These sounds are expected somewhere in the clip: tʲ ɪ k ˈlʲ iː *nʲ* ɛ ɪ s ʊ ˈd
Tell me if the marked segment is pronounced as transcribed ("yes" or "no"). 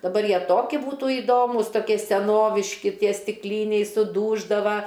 yes